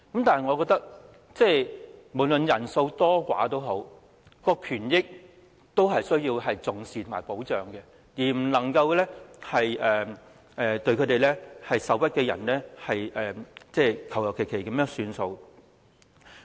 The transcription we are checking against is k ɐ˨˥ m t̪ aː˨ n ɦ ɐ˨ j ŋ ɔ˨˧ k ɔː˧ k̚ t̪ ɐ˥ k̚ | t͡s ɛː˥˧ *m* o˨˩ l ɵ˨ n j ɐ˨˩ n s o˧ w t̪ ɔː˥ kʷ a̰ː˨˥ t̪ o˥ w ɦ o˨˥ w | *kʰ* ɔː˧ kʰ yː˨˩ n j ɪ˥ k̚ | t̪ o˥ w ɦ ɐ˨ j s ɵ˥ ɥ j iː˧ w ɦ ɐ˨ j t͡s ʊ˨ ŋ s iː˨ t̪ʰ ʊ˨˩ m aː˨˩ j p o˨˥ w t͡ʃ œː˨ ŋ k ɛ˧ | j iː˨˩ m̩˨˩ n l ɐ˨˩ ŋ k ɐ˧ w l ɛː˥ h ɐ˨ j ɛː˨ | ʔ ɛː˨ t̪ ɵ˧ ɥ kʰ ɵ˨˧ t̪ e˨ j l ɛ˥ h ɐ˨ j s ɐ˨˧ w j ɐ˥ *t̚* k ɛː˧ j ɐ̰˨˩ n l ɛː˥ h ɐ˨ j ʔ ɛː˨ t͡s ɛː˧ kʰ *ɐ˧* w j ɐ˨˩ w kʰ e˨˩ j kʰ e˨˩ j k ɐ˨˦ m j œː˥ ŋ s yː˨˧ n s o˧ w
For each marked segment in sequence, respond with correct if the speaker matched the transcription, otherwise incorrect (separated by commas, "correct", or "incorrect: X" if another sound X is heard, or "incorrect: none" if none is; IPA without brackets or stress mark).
correct, incorrect: k, correct, incorrect: ɐ˨˩